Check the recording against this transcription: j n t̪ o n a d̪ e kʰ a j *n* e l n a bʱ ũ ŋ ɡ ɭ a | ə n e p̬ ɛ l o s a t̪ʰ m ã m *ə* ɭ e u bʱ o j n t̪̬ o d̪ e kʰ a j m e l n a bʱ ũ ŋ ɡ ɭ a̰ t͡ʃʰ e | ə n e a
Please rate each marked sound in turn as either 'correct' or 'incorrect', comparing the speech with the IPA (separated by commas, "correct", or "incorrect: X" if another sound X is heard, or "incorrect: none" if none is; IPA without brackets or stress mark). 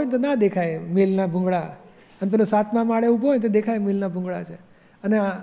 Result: incorrect: m, incorrect: a